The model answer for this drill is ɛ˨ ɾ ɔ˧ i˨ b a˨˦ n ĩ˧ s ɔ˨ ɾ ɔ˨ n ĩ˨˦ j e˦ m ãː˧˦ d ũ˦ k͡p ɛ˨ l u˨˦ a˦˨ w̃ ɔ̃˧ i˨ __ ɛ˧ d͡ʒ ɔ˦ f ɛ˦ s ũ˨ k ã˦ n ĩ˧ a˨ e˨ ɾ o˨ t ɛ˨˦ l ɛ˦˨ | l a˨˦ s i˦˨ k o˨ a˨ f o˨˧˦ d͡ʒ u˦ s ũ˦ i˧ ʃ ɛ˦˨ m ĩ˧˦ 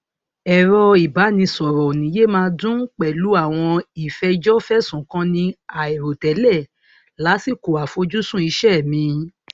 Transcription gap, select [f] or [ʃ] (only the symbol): f